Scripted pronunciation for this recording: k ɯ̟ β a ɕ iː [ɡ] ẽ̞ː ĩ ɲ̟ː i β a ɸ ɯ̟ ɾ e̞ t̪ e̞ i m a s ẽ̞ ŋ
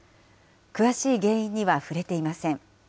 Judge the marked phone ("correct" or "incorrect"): correct